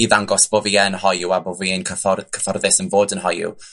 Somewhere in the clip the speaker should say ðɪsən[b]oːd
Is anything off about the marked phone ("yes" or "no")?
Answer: yes